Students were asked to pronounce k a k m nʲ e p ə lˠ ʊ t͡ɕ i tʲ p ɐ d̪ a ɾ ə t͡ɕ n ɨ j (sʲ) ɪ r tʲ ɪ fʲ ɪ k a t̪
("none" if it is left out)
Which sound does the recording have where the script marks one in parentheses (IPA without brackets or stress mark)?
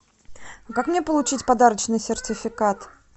sʲ